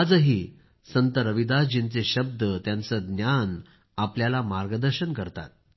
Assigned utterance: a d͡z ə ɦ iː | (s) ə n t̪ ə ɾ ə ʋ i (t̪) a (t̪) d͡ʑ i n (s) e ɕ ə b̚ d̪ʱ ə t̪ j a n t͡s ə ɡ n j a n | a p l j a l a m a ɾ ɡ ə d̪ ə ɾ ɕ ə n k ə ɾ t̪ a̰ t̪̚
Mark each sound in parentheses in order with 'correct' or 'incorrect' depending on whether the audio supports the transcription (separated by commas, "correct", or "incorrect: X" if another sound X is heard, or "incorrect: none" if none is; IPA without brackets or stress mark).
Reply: correct, incorrect: d̪, incorrect: none, incorrect: t͡s